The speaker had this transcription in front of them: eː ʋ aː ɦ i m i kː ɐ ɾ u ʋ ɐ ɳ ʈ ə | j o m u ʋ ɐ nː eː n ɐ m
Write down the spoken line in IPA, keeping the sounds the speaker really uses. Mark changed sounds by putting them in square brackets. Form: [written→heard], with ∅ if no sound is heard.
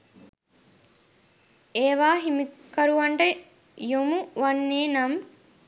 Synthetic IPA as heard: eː ʋ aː ɦ i m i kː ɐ ɾ u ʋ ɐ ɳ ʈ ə | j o m u ʋ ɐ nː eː n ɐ m